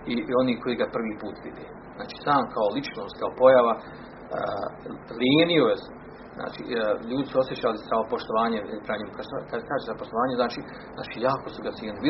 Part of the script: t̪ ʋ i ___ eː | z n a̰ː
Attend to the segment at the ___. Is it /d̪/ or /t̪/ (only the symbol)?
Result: d̪